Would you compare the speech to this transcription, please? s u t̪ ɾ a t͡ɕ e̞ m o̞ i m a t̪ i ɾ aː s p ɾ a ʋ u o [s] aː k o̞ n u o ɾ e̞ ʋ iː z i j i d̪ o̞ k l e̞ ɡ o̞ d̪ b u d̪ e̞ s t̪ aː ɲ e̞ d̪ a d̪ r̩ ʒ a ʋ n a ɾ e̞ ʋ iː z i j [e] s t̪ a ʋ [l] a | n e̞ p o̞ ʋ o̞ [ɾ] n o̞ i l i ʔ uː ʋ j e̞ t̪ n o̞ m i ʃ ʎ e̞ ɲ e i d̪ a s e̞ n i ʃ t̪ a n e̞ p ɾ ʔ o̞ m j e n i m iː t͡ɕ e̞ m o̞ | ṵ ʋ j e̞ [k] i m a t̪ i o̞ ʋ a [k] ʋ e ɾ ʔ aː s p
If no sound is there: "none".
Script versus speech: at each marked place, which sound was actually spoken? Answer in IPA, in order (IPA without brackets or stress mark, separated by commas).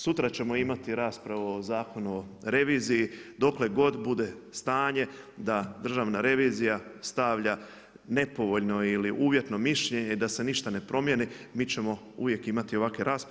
z, a, ʎ, ʎ, k, k